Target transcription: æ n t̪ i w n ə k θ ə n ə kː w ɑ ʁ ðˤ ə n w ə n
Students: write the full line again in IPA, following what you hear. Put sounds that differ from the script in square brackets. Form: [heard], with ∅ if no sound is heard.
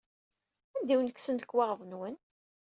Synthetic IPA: æ n [d̪] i w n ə k [s] ə n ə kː w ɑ ʁ ðˤ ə n w ə n